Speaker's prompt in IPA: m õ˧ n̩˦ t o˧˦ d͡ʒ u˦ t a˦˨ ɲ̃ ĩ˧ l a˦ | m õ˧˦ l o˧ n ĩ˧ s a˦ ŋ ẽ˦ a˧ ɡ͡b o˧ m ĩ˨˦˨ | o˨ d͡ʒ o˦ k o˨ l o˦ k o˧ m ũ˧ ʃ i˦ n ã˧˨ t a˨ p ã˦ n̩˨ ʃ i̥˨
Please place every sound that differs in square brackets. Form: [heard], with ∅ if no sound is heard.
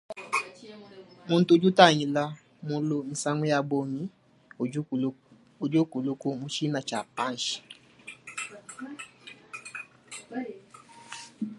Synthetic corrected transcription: m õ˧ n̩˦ t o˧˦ d͡ʒ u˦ t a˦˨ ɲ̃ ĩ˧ l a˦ | m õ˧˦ l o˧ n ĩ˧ s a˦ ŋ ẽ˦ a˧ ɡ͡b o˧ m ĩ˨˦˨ | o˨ d͡ʒ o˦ k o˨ l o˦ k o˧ m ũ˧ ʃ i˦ n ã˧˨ [t͡ʃ] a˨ p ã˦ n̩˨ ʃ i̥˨